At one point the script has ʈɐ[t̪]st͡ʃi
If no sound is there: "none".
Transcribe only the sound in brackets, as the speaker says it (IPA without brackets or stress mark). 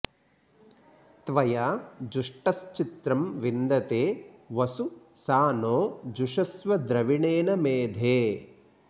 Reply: none